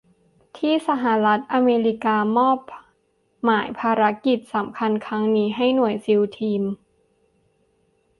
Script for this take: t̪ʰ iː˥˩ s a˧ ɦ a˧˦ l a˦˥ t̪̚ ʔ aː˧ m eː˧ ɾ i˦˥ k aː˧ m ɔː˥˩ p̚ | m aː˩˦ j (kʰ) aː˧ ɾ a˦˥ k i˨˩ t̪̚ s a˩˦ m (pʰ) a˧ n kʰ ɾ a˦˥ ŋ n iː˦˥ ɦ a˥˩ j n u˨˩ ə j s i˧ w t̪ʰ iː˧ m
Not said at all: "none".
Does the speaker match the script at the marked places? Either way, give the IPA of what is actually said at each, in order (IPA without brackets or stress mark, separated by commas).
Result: pʰ, kʰ